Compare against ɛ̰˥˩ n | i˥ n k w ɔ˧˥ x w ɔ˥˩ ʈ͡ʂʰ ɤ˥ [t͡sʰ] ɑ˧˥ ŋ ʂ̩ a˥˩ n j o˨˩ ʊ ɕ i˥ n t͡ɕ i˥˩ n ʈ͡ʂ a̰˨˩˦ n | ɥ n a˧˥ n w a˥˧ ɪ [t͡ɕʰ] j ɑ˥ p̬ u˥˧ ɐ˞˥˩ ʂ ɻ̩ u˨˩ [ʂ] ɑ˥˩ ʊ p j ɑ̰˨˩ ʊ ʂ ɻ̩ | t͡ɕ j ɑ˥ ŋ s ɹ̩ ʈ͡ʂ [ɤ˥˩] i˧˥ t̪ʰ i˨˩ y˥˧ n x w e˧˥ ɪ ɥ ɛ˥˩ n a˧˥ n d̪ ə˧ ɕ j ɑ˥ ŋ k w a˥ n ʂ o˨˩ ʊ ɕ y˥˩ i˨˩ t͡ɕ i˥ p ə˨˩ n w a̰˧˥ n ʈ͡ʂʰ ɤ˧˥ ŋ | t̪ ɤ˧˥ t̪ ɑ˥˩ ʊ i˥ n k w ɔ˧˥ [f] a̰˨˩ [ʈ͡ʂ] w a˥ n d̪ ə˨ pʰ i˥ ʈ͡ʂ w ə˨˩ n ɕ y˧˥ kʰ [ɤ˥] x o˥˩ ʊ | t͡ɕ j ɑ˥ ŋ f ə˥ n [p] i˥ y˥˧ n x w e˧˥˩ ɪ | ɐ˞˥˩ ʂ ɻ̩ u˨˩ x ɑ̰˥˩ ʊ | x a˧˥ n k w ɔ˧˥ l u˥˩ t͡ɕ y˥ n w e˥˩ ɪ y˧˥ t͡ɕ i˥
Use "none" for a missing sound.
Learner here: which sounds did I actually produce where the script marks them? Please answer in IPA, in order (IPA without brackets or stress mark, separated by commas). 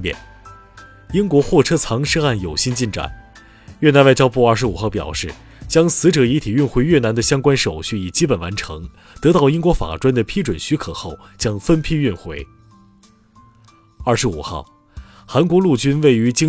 t͡sʰ, t͡ɕ, x, ɤ˨˩, f, ʈ͡ʂ, ɤ˨˩, pʰ